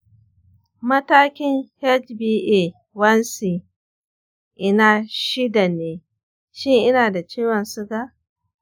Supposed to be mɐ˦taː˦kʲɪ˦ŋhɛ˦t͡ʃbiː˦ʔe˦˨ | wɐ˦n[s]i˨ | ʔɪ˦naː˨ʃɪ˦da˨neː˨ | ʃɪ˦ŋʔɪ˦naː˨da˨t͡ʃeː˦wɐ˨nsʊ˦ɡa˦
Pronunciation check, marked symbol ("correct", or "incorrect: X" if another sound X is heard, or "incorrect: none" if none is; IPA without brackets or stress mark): correct